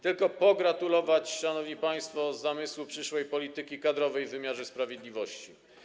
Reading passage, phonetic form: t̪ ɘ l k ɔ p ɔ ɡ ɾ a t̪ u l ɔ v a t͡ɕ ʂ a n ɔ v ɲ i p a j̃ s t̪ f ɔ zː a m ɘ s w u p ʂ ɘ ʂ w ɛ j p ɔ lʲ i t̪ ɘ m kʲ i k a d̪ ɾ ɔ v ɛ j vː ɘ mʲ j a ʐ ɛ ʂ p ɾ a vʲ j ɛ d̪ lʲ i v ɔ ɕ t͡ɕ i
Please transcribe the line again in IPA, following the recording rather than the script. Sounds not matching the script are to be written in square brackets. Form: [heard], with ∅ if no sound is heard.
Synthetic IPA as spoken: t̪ ɘ l k ɔ p ɔ ɡ ɾ a t̪ u l ɔ v a t͡ɕ ʂ a n ɔ v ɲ i p a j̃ s t̪ f ɔ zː a m ɘ s w u p ʂ ɘ ʂ w ɛ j p ɔ lʲ i t̪ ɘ [∅] kʲ i k a d̪ ɾ ɔ v ɛ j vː ɘ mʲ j a ʐ ɛ [s] p ɾ a vʲ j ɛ d̪ lʲ i v ɔ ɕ t͡ɕ i

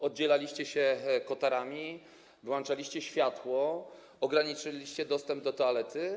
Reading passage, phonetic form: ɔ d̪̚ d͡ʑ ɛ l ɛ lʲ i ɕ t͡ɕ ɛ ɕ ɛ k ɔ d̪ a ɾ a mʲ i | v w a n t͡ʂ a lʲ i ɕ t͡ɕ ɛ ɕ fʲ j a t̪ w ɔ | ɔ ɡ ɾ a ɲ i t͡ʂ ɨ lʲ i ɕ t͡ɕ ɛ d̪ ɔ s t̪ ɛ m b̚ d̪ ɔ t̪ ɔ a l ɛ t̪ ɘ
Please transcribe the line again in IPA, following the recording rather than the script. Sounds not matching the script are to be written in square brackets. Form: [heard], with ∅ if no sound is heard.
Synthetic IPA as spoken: ɔ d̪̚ d͡ʑ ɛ l [a] lʲ i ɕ t͡ɕ ɛ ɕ ɛ k ɔ [t̪] a ɾ a mʲ i | v w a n t͡ʂ a lʲ i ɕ t͡ɕ ɛ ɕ fʲ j a t̪ w ɔ | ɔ ɡ ɾ a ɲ i t͡ʂ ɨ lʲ i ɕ t͡ɕ ɛ d̪ ɔ s t̪ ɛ m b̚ d̪ ɔ t̪ ɔ a l ɛ t̪ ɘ

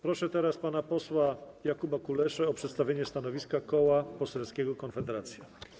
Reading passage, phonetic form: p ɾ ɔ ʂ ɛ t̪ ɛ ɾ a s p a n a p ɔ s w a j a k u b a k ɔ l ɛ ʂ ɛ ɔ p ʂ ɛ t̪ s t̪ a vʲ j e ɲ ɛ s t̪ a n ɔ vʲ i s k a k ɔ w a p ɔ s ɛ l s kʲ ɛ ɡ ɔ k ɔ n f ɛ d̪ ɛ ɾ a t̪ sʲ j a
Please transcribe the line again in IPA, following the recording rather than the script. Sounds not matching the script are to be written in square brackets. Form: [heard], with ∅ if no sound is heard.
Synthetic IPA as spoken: p ɾ ɔ ʂ ɛ t̪ ɛ ɾ a s p a n a p ɔ s w a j a k u b a k [u] l ɛ ʂ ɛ ɔ p ʂ ɛ t̪ s t̪ a vʲ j e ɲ ɛ s t̪ a n ɔ vʲ i s k a k ɔ w a p ɔ s ɛ l s kʲ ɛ ɡ ɔ k ɔ n f ɛ d̪ ɛ ɾ a t̪ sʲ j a

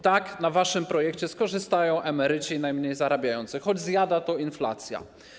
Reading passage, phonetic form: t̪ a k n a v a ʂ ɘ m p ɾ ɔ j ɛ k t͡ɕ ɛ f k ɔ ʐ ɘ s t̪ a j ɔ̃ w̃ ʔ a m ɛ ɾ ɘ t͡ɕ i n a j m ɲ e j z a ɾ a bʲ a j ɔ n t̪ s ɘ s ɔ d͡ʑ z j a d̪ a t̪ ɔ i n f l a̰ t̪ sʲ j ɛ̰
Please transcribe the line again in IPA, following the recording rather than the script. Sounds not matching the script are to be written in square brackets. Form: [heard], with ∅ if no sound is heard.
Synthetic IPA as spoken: t̪ a k n a v a ʂ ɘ m p ɾ ɔ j ɛ k t͡ɕ ɛ [s] k ɔ ʐ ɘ s t̪ a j ɔ̃ w̃ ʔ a m ɛ ɾ ɘ t͡ɕ i n a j m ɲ e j z a ɾ a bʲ a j ɔ n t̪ s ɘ [x] ɔ d͡ʑ z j a d̪ a t̪ ɔ i n f l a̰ t̪ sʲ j [a̰]

